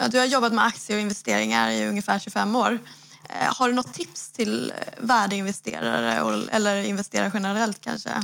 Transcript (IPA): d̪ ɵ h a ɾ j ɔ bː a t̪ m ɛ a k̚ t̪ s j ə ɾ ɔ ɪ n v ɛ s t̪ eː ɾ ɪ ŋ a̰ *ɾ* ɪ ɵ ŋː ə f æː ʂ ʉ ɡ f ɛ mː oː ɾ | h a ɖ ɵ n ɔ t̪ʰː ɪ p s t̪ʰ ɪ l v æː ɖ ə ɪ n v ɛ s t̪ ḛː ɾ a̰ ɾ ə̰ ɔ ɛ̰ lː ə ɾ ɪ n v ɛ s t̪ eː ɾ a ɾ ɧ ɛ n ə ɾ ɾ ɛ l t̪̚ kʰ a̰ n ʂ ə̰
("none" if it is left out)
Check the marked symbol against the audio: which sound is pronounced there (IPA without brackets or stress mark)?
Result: ɾ